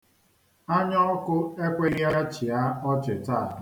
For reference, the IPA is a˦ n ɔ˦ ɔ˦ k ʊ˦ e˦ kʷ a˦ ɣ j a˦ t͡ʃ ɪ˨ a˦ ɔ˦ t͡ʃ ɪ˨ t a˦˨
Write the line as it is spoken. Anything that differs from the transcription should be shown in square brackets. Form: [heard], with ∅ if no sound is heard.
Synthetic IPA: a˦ [ɲ] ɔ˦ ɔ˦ k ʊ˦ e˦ kʷ [e˦] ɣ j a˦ t͡ʃ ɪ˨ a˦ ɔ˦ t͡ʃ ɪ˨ t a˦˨